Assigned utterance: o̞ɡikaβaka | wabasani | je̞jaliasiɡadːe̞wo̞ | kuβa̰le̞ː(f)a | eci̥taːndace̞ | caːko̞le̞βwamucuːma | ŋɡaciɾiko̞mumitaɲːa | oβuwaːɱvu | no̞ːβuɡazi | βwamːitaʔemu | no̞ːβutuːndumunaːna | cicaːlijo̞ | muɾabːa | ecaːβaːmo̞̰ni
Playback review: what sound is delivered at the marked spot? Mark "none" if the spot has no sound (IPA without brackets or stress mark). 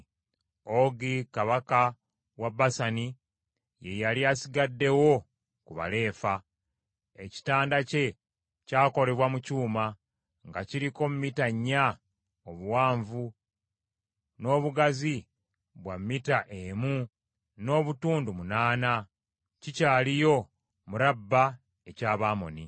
f